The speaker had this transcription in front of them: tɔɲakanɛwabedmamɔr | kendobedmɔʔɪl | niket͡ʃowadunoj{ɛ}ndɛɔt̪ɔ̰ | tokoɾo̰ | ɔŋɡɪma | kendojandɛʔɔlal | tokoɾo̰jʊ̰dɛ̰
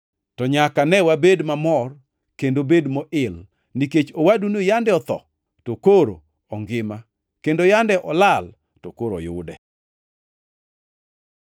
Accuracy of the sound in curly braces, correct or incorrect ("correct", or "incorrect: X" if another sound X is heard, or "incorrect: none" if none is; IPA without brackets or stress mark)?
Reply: incorrect: a